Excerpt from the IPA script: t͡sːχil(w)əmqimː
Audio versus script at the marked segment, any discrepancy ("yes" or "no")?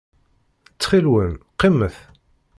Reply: no